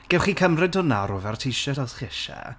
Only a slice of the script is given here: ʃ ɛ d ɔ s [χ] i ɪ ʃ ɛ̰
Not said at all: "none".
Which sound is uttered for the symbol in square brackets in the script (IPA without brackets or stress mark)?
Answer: χ